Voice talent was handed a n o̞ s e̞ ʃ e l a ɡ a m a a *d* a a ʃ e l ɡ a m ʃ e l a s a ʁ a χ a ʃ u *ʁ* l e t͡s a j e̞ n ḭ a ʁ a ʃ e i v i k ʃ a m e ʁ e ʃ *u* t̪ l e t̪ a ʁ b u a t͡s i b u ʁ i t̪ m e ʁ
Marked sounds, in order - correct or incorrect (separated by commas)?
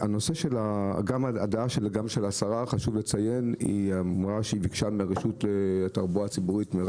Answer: correct, incorrect, correct